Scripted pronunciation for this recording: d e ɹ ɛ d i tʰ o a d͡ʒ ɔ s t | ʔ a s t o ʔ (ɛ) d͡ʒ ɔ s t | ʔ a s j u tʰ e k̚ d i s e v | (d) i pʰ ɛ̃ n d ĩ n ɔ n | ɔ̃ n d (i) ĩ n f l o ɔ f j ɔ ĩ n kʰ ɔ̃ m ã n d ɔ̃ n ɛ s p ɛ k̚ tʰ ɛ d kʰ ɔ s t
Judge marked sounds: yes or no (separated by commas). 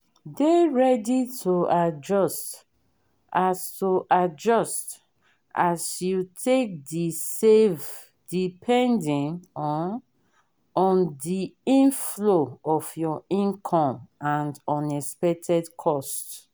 no, yes, yes